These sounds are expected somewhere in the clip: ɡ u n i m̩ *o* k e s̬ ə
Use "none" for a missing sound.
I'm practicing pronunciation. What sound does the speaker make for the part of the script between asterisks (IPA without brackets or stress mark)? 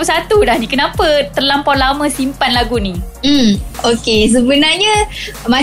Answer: o